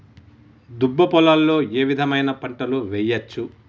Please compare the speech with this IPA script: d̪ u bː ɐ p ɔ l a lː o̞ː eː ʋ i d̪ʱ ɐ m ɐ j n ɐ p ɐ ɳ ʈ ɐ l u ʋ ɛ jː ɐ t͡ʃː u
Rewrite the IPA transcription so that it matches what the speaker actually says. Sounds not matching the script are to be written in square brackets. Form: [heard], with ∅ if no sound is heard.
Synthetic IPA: d̪ u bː ɐ p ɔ l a lː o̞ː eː ʋ i d̪ʱ ɐ m ɐ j n ɐ p ɐ ɳ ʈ ɐ l u ʋ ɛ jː ɐ t͡ʃː u

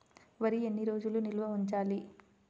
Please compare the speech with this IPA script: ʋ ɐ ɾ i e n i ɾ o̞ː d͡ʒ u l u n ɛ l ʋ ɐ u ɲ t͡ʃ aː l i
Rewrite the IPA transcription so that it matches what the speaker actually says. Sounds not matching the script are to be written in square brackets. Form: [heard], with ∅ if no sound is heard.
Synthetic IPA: ʋ ɐ ɾ i e [nː] i ɾ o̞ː d͡ʒ u l u n [i] l ʋ ɐ u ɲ t͡ʃ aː l i

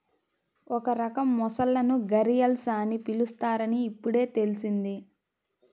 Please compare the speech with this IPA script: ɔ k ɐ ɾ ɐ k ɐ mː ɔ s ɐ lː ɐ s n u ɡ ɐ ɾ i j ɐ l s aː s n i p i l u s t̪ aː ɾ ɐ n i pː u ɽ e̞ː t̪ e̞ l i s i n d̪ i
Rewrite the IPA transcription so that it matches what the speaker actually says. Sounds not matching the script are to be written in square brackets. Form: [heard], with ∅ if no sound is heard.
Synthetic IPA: ɔ k ɐ ɾ ɐ k ɐ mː ɔ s ɐ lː ɐ [∅] n u ɡ ɐ ɾ i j ɐ l s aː [∅] n i p i l u s t̪ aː ɾ ɐ n [iː] pː u ɽ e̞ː t̪ e̞ l i s i n d̪ i

